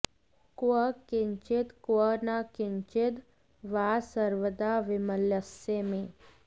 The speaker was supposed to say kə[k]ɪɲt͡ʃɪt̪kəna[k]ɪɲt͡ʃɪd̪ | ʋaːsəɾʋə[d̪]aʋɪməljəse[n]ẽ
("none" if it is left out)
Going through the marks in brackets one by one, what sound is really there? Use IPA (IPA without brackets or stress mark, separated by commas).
k, k, d̪, m